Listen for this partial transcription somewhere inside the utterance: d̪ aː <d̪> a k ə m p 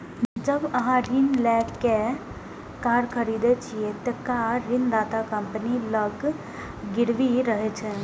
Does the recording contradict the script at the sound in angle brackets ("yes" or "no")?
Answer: yes